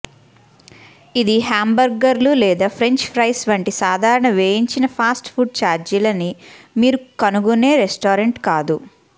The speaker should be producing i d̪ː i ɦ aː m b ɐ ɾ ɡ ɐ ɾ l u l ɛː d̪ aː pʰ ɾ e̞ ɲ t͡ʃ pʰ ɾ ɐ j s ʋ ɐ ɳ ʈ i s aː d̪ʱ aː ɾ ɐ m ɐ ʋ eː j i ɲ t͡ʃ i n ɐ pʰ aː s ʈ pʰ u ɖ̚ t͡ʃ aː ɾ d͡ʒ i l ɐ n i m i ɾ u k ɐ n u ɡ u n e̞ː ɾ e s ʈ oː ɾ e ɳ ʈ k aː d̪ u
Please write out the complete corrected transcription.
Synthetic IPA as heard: i d̪ i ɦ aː m b ɐ ɾ ɡ ɐ ɾ l u l ɛː d̪ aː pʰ ɾ e̞ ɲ t͡ʃ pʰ ɾ ɐ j s ʋ ɐ ɳ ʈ i s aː d̪ʱ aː ɾ ɐ ɳ ɐ ʋ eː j i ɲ t͡ʃ i n ɐ pʰ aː s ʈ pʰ u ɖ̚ t͡ʃ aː ɾ d͡ʒ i l ɐ n i m iː ɾ u k ɐ n u ɡ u n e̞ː ɾ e s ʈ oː ɾ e ɳ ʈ k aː d̪ u

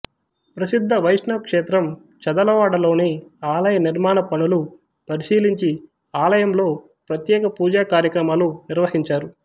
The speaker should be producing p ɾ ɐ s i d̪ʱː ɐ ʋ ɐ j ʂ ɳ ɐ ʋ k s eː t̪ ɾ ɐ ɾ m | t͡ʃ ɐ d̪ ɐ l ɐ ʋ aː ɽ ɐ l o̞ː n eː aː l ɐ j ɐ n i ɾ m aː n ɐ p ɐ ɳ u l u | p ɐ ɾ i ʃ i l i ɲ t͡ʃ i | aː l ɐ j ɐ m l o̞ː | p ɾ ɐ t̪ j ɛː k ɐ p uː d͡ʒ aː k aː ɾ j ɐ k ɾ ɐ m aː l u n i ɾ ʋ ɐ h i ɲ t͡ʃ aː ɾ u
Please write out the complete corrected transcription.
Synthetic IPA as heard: p ɾ ɐ s i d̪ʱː ɐ ʋ ɐ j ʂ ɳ ɐ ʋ k ʂ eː t̪ ɾ ɐ m | t͡ʃ ɐ d̪ ɐ l ɐ ʋ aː ɽ ɐ l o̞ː n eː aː l ɐ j ɐ n i ɾ m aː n ɐ p ɐ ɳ u l u | p ɐ ɾ i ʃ iː l i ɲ t͡ʃ i | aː l ɐ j ɐ m l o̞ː | p ɾ ɐ t̪ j ɛː k ɐ p uː d͡ʒ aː k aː ɾ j ɐ k ɾ ɐ m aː l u n i ɾ ʋ ɐ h i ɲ t͡ʃ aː ɾ u

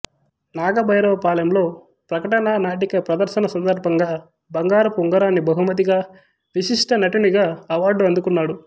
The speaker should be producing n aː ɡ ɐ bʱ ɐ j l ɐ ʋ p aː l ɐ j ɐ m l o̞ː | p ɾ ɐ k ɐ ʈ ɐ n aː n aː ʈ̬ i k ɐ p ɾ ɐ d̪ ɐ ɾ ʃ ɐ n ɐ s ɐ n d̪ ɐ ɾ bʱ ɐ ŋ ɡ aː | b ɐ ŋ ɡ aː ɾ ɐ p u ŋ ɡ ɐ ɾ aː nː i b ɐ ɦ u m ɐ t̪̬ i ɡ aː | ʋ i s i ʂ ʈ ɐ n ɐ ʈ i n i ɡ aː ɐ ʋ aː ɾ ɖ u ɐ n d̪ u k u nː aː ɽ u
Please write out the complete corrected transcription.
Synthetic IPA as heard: n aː ɡ ɐ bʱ ɐ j ɾ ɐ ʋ p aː l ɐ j ɐ m l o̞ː | p ɾ ɐ k ɐ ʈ ɐ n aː n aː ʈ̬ i k ɐ p ɾ ɐ d̪ ɐ ɾ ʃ ɐ n ɐ s ɐ n d̪ ɐ ɾ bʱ ɐ ŋ ɡ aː | b ɐ ŋ ɡ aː ɾ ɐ p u ŋ ɡ ɐ ɾ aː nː i b ɐ ɦ u m ɐ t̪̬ i ɡ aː | ʋ i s i ʂ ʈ ɐ n ɐ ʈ i n i ɡ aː ɐ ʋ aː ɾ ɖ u ɐ n d̪ u k u nː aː ɽ u

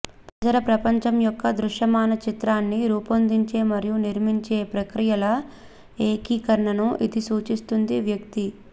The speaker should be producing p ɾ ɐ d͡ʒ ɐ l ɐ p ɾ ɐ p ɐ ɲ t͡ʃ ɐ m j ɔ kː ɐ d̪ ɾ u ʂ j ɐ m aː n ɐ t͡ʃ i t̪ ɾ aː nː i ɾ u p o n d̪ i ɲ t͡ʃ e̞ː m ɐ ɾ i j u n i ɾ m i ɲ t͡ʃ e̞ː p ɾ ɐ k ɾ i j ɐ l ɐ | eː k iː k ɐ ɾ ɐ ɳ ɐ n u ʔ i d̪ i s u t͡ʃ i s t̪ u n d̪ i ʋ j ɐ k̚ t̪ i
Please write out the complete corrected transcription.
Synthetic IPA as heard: p ɾ ɐ d͡ʒ ɐ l ɐ p ɾ ɐ p ɐ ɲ t͡ʃ ɐ m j ɔ kː ɐ d̪ ɾ u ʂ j ɐ m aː n ɐ t͡ʃ i t̪ ɾ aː nː i ɾ uː p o n d̪ i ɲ t͡ʃ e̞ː m ɐ ɾ i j u n i ɾ m i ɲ t͡ʃ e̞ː p ɾ ɐ k ɾ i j ɐ l ɐ | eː k iː k ɐ ɾ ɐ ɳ ɐ n u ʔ i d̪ i s uː t͡ʃ i s t̪ u n d̪ i ʋ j ɐ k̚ t̪ i

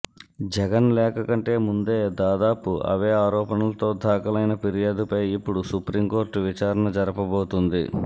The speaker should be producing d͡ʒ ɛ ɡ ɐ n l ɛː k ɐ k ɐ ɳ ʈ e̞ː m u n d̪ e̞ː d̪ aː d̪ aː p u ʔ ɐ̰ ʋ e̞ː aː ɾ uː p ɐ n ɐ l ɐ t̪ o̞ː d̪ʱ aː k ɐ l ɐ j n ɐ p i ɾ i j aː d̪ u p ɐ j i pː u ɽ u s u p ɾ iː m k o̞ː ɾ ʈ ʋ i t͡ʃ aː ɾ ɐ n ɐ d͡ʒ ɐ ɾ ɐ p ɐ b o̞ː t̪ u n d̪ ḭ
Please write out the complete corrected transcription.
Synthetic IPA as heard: d͡ʒ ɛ ɡ ɐ n l ɛː k ɐ k ɐ ɳ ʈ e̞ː m u n d̪ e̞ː d̪ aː d̪ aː p u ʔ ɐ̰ ʋ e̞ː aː ɾ ɔː p ɐ n ɐ l ɐ t̪ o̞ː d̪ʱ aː k ɐ l ɐ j n ɐ p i ɾ i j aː d̪ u p ɐ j i pː u ɽ u s u p ɾ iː m k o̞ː ɾ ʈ ʋ i t͡ʃ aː ɾ ɐ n ɐ d͡ʒ ɐ ɾ ɐ p ɐ b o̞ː t̪ u n d̪ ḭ

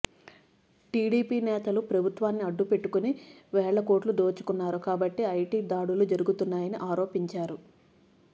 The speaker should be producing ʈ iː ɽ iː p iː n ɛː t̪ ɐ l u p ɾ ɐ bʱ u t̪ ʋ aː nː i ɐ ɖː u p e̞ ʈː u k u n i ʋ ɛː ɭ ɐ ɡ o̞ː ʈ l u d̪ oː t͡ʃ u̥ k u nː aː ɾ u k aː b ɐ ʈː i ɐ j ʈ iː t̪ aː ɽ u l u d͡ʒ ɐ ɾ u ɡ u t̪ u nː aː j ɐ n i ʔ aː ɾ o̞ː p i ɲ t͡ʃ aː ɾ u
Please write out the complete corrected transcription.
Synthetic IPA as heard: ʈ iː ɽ iː p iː n ɛː t̪ ɐ l u p ɾ ɐ bʱ u t̪ ʋ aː nː i ɐ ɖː u p e̞ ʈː u k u n i ʋ ɛː ɭ ɐ k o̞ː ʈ l u d̪ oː t͡ʃ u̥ k u nː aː ɾ u k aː b ɐ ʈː i ɐ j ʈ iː d̪ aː ɽ u l u d͡ʒ ɐ ɾ u ɡ u t̪ u nː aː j ɐ n i ʔ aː ɾ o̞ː p i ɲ t͡ʃ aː ɾ u

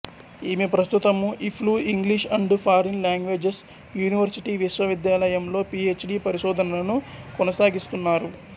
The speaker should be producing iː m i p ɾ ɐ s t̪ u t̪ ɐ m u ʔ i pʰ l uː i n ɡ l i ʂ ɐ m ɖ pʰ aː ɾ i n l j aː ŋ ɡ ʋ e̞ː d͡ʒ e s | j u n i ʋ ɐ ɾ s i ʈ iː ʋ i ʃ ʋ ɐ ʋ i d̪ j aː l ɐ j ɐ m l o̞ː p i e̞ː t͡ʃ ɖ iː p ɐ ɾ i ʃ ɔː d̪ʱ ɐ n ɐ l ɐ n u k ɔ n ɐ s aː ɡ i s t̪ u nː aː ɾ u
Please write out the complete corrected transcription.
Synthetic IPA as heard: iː m i p ɾ ɐ s t̪ u t̪ ɐ m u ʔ i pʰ l uː i ŋ ɡ l i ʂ ɐ ɳ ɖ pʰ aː ɾ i n l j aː ŋ ɡ ʋ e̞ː d͡ʒ e s | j uː n i ʋ ɐ ɾ s i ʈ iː ʋ i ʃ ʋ ɐ ʋ i d̪ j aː l ɐ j ɐ m l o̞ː p i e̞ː t͡ʃ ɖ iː p ɐ ɾ i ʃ ɔː d̪ʱ ɐ n ɐ l ɐ n u k ɔ n ɐ s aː ɡ i s t̪ u nː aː ɾ u

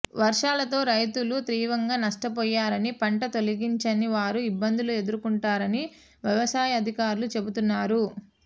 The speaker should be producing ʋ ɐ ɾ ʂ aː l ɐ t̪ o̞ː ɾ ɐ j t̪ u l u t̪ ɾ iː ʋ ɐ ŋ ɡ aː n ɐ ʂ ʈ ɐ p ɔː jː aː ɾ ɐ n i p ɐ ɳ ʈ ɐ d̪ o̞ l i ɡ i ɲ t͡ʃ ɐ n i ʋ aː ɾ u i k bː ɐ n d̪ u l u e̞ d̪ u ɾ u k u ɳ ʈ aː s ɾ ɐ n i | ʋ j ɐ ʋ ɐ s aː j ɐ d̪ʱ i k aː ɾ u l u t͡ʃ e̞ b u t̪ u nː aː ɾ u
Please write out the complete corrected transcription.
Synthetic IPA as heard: ʋ ɐ ɾ ʂ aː l ɐ t̪ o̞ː ɾ ɐ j t̪ u l u t̪ ɾ iː ʋ ɐ ŋ ɡ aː n ɐ ʂ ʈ ɐ p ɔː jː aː ɾ ɐ n i p ɐ ɳ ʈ ɐ t̪ o̞ l i ɡ i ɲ t͡ʃ ɐ n i ʋ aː ɾ u i bː ɐ n d̪ u l u e̞ d̪ u ɾ u k u ɳ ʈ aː ɾ ɐ n i | ʋ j ɐ ʋ ɐ s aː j ɐ d̪ʱ i k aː ɾ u l u t͡ʃ e̞ b u t̪ u nː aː ɾ u

